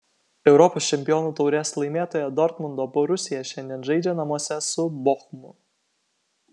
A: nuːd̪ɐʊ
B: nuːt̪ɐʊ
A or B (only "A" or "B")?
B